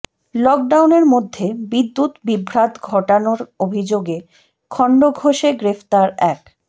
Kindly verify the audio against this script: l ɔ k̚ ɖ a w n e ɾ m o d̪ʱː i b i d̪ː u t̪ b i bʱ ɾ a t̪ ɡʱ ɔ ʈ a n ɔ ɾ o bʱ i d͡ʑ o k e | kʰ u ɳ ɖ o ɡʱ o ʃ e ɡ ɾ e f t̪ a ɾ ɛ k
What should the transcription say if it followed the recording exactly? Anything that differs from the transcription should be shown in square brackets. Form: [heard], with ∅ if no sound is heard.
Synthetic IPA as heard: l ɔ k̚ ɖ a w n e ɾ m o d̪ʱː [e] b i d̪ː u t̪ b i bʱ ɾ a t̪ ɡʱ ɔ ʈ a n [o] ɾ o bʱ i d͡ʑ o [ɡ] e | kʰ [ɔ] ɳ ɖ o ɡʱ o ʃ e ɡ ɾ e f t̪ a ɾ ɛ k

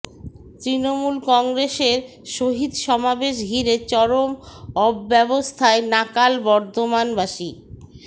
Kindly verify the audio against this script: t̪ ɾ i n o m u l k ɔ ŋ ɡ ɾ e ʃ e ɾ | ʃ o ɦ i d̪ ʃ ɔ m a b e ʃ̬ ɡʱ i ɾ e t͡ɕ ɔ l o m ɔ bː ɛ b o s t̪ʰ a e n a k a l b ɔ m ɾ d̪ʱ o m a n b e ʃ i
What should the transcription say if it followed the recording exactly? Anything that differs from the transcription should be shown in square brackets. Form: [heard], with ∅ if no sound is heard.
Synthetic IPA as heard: t̪ ɾ i n o m u l k ɔ ŋ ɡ ɾ e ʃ e ɾ | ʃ o ɦ i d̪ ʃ ɔ m a b e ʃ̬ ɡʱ i ɾ e t͡ɕ ɔ [ɾ] o m ɔ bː ɛ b o s t̪ʰ a e n a k a l b ɔ [∅] ɾ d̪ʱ o m a n b [a] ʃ i

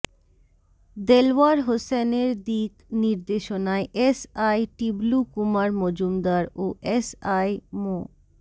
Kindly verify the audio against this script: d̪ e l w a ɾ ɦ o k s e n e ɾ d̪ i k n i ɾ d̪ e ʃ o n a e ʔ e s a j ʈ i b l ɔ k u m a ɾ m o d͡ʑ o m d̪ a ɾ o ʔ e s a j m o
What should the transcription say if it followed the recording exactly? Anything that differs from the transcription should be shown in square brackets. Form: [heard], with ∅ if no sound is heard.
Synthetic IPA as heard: d̪ e l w a ɾ ɦ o [∅] s e n e ɾ d̪ i k n i ɾ d̪ e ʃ o n a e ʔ e s a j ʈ i b l [u] k u m a ɾ m o d͡ʑ [u] m d̪ a ɾ o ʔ e s a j m o

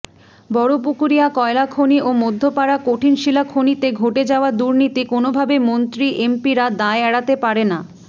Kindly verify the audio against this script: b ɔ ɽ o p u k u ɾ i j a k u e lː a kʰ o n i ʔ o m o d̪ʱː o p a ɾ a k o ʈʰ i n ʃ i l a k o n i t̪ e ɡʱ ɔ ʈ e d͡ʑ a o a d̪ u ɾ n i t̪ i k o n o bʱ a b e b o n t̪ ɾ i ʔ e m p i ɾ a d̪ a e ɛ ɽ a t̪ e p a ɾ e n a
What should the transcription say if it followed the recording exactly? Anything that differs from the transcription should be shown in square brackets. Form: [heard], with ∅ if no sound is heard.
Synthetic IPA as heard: b ɔ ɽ o p u k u ɾ i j a k [ɔ] e [l] a kʰ o n i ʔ o m o d̪ʱː o p a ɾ a k o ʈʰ i n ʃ i l a [kʰ] o n i t̪ e ɡʱ [o] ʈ e d͡ʑ a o a d̪ u ɾ n i t̪ i k o n o bʱ a b e [m] o n t̪ ɾ i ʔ e m p i ɾ a d̪ a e ɛ ɽ a t̪ e p a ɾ e n a

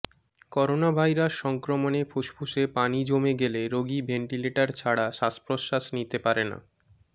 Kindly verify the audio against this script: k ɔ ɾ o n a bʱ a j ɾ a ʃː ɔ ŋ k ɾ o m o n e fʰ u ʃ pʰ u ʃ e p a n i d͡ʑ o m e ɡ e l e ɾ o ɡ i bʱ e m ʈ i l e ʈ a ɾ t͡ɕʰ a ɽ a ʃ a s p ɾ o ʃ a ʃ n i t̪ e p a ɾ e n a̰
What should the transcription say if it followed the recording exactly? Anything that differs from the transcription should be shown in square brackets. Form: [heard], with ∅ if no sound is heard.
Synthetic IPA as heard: k ɔ ɾ o n a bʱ a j ɾ a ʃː ɔ ŋ k ɾ o m o n e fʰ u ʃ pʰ u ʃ e p a n i d͡ʑ o m e ɡ e l e ɾ o ɡ i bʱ e [ɳ] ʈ i l e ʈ a ɾ t͡ɕʰ a ɽ a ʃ a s p ɾ o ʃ a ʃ n i t̪ e p a ɾ e n a̰

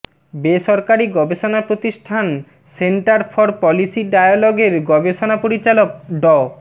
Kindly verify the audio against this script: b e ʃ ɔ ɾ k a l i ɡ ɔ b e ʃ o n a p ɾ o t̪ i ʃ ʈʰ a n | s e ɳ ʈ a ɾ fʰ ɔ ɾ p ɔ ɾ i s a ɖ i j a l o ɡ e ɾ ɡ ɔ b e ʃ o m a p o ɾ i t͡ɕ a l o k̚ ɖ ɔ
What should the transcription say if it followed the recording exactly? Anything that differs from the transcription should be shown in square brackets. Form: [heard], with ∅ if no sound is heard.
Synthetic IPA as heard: b e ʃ ɔ ɾ k a [ɾ] i ɡ ɔ b e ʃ o n a p ɾ o t̪ i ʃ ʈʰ a n | s e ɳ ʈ a ɾ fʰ ɔ ɾ p ɔ [l] i s [i] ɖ [a] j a l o ɡ e ɾ ɡ ɔ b e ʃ o [n] a p o ɾ i t͡ɕ a l o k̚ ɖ ɔ

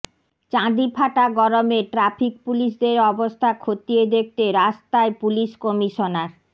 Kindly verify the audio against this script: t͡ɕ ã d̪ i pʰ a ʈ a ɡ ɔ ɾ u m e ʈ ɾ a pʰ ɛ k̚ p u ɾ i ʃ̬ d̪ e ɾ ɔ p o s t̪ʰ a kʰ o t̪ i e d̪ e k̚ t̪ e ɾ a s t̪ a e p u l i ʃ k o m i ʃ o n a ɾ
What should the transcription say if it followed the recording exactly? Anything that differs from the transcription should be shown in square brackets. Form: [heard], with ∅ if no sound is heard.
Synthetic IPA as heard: t͡ɕ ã d̪ i pʰ a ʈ a ɡ ɔ ɾ [o] m e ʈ ɾ a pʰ [i] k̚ p u [l] i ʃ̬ d̪ e ɾ ɔ [b] o s t̪ʰ a kʰ o t̪ i e d̪ e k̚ t̪ e ɾ a s t̪ a e p u l i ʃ k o m i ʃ o n a ɾ

